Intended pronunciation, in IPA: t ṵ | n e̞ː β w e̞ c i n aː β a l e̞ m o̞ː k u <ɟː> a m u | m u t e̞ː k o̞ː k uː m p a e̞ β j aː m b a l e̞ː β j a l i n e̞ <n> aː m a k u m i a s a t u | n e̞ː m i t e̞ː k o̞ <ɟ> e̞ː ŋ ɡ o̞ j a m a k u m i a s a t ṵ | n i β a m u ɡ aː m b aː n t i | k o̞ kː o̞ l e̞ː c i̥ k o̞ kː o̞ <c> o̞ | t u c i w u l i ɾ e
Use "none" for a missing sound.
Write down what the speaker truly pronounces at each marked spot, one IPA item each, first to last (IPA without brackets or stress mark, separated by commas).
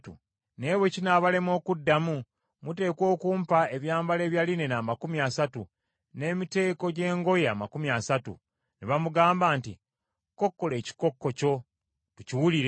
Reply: dː, n, ɟ, c